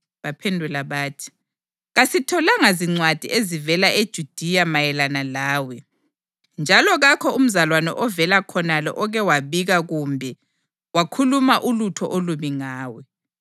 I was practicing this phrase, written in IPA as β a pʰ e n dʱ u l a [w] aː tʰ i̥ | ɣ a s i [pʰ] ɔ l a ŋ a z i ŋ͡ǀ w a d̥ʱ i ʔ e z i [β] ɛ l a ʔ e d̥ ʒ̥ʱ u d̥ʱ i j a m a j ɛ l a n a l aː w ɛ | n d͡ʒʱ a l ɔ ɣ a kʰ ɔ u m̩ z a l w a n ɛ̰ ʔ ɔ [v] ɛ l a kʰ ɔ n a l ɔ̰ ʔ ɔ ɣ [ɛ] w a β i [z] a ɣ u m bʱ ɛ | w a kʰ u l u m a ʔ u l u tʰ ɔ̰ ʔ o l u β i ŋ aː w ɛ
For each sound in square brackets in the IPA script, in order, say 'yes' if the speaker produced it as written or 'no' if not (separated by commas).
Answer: no, no, no, yes, yes, no